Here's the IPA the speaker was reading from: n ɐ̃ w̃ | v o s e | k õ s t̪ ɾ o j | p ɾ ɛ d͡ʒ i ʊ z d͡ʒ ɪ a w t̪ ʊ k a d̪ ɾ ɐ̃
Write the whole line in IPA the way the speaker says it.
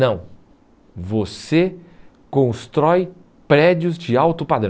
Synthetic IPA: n ɐ̃ w̃ | v o s e | k õ s t̪ ɾ ɔ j | p ɾ ɛ d͡ʒ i ʊ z d͡ʒ ɪ a w t̪ ʊ p a d̪ ɾ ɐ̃